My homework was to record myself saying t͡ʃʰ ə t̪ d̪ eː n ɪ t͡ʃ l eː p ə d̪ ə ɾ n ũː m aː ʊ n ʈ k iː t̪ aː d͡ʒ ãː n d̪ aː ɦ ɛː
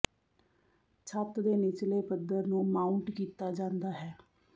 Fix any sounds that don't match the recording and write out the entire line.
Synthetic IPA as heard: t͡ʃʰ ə t̪ d̪ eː n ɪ t͡ʃ l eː p ə d̪ ə ɾ n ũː m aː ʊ ɳ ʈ k iː t̪ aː d͡ʒ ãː n d̪ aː ɦ ɛː